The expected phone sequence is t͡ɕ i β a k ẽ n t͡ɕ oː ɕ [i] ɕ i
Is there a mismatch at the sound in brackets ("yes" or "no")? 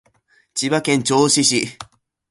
no